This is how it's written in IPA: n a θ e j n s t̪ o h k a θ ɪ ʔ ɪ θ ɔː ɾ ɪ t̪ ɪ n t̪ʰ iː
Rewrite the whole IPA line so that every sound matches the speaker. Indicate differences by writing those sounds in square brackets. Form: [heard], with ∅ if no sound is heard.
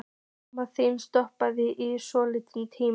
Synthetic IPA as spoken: [m] a θ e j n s t̪ [ɔ] h [p] a [ð] ɪ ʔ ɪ [s] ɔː [l] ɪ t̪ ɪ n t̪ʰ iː